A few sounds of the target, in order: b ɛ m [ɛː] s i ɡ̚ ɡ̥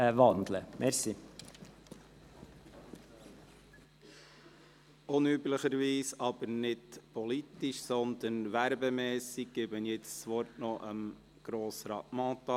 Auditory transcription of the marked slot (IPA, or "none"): ɛː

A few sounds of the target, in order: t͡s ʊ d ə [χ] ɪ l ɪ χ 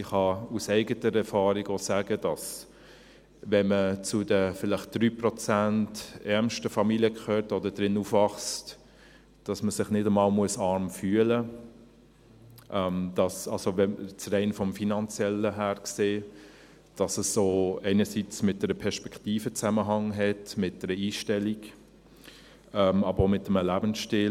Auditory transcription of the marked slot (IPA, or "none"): f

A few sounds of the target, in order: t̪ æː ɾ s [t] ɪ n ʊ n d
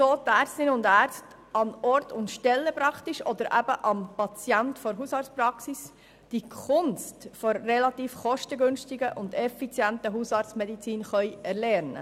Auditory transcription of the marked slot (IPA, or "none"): t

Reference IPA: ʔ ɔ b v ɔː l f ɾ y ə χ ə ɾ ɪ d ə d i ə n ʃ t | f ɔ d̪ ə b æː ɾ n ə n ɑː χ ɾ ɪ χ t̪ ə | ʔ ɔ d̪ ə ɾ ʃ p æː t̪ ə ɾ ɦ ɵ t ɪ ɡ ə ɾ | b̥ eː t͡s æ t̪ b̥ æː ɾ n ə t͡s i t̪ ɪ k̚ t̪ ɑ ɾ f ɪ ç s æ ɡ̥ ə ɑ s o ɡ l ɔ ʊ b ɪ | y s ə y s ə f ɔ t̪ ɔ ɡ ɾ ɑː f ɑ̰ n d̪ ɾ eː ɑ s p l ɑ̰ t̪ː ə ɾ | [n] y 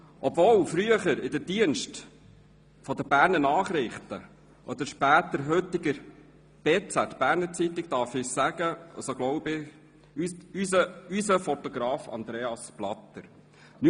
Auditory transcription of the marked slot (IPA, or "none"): n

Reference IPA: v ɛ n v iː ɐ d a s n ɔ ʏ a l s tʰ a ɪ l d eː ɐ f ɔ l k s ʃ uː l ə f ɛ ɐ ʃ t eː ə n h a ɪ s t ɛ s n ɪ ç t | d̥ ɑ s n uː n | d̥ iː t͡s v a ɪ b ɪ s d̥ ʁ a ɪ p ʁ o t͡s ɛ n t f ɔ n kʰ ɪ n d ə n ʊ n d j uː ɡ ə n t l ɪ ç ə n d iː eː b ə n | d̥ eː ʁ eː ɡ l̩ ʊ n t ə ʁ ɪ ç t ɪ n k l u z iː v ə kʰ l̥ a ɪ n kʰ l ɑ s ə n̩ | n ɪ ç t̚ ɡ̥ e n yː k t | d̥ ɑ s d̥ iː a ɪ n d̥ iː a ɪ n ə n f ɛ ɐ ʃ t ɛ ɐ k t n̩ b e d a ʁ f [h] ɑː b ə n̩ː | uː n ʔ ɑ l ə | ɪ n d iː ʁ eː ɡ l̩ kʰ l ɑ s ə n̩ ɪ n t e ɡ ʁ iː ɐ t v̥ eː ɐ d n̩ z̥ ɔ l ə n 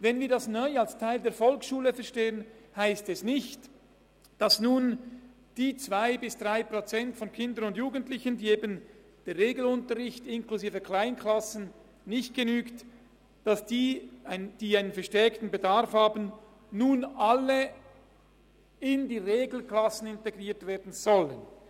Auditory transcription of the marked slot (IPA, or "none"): h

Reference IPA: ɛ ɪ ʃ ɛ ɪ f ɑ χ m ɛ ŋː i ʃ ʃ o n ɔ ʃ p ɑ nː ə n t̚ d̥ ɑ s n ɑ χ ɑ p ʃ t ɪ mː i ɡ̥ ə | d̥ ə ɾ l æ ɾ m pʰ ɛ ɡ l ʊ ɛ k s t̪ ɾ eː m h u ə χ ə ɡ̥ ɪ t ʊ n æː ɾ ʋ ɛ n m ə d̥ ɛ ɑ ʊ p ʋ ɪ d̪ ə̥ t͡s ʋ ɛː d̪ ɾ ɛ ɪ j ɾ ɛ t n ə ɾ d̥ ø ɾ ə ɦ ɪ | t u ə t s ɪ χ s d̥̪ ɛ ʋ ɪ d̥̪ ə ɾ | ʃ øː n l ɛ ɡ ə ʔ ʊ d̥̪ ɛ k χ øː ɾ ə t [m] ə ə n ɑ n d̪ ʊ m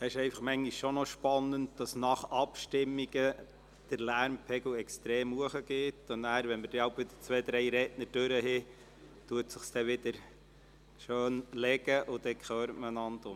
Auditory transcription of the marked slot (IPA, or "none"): m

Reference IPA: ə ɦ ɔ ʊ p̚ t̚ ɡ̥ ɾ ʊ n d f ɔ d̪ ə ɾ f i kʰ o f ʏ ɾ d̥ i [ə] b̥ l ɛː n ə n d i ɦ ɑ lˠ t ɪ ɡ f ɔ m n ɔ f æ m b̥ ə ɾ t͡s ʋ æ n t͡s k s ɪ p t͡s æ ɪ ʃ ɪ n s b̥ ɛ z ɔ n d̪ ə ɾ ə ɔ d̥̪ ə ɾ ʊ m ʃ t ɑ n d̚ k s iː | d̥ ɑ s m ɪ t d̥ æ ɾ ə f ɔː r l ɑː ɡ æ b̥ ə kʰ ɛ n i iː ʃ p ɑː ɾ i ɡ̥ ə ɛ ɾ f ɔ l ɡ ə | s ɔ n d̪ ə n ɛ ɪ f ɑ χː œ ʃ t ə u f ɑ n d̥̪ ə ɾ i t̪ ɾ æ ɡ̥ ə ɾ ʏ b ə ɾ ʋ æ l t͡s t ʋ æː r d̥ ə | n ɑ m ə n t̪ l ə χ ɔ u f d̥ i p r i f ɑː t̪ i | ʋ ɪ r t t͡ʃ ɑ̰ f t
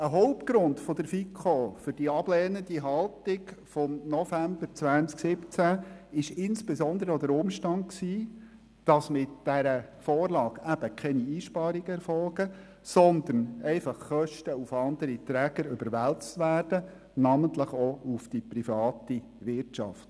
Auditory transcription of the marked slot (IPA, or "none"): ɑ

